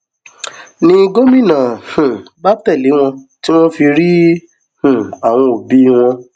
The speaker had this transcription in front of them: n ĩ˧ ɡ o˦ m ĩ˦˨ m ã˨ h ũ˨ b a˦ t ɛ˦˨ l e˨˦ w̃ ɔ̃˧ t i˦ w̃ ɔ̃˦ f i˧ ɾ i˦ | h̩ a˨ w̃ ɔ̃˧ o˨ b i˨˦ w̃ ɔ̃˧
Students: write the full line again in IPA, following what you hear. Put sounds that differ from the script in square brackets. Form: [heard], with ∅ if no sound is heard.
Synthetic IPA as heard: n ĩ˧ ɡ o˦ m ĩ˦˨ [n] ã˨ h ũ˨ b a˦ t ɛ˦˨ l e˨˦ w̃ ɔ̃˧ t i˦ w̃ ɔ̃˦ f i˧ ɾ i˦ | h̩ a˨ w̃ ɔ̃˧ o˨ b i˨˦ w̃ ɔ̃˧